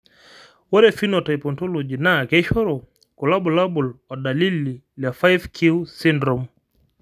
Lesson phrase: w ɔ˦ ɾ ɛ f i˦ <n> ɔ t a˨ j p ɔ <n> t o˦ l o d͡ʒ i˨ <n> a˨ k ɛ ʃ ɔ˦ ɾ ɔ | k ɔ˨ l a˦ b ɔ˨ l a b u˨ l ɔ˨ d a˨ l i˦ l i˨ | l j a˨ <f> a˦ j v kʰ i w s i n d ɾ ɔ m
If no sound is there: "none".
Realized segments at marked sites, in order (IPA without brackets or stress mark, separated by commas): n, n, n, f